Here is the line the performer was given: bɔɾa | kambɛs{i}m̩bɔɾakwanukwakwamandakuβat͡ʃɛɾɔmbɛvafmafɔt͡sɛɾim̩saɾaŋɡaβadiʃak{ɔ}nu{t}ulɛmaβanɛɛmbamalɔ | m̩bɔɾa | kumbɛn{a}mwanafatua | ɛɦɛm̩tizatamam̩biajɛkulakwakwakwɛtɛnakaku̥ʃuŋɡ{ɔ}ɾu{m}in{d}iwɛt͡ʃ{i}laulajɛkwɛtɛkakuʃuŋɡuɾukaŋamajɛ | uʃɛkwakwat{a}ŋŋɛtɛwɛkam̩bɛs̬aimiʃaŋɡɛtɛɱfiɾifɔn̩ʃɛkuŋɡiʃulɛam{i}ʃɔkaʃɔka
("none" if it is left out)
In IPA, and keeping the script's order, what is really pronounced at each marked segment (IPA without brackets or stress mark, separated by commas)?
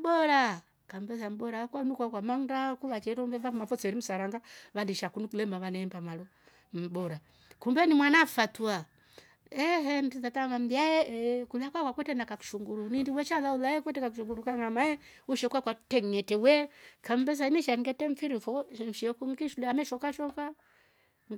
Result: a, u, k, i, u, n, d, a, ɛ, ɛ